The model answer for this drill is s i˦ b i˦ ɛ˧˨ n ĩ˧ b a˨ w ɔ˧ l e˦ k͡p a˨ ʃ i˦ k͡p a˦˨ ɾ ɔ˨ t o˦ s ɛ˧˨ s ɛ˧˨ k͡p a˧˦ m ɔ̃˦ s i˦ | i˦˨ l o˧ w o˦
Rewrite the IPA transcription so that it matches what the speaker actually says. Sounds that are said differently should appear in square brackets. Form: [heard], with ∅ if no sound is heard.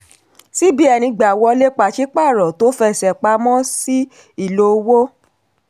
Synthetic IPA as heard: s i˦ b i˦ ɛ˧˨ n ĩ˧ [ɡ͡b] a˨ w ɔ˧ l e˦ k͡p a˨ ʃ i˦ k͡p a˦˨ ɾ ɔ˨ t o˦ [f] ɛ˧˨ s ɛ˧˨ k͡p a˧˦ m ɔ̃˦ s i˦ | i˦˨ l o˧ w o˦

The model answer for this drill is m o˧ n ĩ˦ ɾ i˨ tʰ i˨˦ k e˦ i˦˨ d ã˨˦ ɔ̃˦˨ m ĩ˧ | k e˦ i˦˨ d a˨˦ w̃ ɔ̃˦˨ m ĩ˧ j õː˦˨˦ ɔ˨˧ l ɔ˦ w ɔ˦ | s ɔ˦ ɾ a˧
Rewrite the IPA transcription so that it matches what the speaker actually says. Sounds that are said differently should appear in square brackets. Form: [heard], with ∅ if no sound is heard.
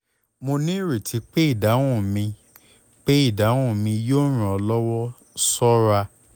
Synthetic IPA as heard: m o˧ n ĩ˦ ɾ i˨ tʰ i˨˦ [k͡p] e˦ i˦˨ d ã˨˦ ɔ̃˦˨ m ĩ˧ | [k͡p] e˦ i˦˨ d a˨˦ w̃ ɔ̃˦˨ m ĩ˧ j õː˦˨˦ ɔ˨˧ l ɔ˦ w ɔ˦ | s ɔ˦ ɾ a˧

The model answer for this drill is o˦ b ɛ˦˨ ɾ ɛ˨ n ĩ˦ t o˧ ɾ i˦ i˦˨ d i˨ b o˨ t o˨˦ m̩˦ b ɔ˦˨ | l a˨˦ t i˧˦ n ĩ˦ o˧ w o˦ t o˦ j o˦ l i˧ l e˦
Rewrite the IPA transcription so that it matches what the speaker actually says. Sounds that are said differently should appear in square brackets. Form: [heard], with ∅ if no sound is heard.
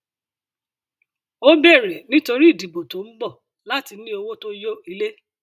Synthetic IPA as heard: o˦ b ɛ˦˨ ɾ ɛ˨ n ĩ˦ t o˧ ɾ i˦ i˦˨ d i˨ b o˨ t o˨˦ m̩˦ b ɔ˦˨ | l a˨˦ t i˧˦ n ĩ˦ o˧ w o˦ t o˦ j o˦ [∅] i˧ l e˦

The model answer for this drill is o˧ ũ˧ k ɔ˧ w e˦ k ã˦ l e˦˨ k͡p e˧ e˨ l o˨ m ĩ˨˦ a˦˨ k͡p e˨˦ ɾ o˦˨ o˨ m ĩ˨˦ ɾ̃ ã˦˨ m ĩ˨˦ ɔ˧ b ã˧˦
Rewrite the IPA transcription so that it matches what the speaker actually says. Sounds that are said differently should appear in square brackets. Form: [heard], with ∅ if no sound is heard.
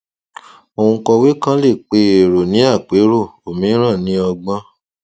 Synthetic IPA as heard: o˧ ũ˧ k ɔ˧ w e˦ k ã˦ l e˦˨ k͡p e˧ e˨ [ɾ] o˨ [n] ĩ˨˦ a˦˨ k͡p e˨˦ ɾ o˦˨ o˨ m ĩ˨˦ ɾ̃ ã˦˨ [n] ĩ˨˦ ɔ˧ [ɡ͡b] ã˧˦

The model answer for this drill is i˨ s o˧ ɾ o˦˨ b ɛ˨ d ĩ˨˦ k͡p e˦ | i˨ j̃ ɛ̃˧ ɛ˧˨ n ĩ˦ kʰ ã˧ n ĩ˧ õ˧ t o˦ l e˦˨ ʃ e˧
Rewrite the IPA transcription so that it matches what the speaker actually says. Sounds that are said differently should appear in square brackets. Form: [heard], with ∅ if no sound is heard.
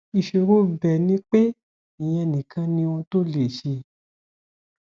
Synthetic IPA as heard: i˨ [ʃ] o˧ ɾ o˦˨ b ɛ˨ [n] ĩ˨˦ k͡p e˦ | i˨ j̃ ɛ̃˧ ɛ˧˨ n [ĩ˨] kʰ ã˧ n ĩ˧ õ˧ t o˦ l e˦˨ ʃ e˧

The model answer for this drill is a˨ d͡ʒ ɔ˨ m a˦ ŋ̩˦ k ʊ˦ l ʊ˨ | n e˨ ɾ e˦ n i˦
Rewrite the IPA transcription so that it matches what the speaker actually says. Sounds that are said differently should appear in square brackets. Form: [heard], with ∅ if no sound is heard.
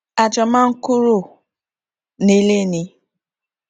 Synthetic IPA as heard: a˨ d͡ʒ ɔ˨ m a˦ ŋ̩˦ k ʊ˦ [ɾ] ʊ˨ | n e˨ [l] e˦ n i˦

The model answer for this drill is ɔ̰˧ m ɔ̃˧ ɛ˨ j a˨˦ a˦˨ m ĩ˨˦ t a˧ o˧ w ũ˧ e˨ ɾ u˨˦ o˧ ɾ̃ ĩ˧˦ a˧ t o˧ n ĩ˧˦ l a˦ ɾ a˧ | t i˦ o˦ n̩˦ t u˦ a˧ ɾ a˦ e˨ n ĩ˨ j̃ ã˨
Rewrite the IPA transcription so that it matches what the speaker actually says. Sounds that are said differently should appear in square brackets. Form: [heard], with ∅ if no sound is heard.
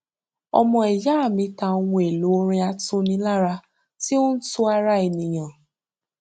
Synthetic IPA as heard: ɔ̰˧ m ɔ̃˧ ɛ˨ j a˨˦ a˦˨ m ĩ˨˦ t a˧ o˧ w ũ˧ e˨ [l] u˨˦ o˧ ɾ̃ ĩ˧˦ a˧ t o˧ n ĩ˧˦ l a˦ ɾ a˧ | t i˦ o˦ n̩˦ t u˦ a˧ ɾ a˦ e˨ n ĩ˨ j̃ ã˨

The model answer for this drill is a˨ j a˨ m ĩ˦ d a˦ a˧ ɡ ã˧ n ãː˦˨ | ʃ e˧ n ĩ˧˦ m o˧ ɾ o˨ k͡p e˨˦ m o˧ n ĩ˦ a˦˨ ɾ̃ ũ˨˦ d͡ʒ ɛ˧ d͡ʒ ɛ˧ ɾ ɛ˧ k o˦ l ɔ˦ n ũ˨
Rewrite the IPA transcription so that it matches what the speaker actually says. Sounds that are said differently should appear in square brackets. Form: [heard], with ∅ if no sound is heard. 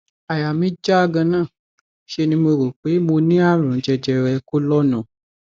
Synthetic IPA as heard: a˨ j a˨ m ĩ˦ [d͡ʒ] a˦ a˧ ɡ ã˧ n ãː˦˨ | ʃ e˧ n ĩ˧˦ m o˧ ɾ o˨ k͡p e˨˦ m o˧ n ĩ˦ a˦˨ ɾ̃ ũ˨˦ d͡ʒ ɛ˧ d͡ʒ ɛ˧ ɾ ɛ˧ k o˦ l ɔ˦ n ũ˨

